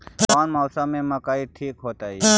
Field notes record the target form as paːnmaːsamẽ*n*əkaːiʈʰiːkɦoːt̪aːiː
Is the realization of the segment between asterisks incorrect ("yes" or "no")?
yes